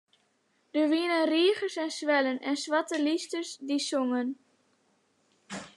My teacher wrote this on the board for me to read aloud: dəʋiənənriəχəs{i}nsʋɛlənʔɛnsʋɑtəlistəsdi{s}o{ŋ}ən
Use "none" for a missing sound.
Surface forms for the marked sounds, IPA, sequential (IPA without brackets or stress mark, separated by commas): ɛ, s, ŋ